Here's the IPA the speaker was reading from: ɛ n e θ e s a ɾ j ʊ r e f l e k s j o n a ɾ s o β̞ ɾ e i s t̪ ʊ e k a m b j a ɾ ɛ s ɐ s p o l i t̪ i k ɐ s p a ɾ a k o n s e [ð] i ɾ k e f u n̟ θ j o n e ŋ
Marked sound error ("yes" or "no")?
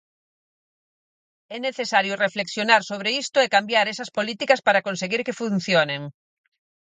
yes